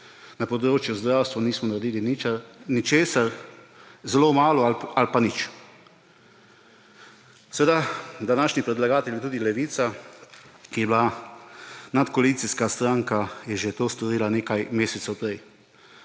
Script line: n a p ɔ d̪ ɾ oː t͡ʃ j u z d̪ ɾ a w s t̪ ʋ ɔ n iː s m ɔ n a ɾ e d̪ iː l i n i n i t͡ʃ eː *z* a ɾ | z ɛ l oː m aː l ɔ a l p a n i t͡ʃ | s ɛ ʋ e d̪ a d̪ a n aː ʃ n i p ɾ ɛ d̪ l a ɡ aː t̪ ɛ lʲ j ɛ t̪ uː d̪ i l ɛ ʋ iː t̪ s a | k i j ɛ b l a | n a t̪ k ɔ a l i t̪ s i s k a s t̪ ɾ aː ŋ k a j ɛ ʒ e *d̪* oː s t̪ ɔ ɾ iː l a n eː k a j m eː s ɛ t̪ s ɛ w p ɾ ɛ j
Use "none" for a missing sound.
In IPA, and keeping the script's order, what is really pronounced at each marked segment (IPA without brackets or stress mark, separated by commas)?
s, t̪